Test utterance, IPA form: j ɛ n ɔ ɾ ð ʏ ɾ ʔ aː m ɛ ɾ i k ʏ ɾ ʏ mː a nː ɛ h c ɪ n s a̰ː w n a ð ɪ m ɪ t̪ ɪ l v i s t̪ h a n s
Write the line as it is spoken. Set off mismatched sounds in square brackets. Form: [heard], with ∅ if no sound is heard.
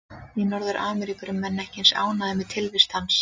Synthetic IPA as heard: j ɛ n ɔ ɾ ð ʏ ɾ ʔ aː m ɛ ɾ i k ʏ ɾ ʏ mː [ɛ] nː ɛ h c ɪ n s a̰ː w n a ð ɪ m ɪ [t̪ʰ] ɪ l v [ɪ] s t̪ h a n s